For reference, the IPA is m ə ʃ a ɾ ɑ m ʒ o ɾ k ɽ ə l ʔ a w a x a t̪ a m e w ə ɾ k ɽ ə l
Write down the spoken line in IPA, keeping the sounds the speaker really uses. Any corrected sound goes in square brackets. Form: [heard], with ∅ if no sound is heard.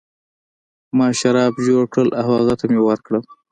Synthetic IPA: m [ɑ] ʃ a ɾ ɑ [b] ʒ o [ɽ] k ɽ ə l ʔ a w a [ɣ] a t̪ a m e w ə ɾ k ɽ ə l